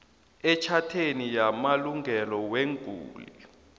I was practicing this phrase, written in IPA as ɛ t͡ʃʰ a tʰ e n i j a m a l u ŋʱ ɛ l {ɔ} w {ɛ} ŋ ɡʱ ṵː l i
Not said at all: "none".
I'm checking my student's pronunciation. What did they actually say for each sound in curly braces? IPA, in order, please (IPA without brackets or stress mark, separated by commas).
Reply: ɔ, e